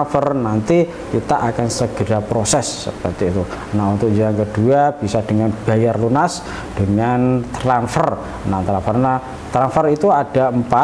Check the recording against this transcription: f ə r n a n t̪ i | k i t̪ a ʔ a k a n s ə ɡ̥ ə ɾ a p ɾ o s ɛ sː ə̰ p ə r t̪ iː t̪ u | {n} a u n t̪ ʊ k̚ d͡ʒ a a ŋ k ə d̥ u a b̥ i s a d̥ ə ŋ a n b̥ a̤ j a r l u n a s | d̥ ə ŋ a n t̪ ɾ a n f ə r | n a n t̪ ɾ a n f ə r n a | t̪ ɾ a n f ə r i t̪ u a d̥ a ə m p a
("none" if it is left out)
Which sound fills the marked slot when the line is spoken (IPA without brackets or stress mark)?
n